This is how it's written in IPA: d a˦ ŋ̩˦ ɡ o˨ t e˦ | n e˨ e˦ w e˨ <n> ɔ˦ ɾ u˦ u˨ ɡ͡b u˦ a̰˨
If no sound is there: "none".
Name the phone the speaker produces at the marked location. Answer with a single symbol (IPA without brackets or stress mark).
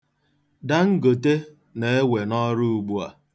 n